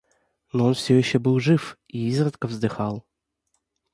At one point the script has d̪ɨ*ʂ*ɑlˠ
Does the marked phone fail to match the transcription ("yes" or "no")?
yes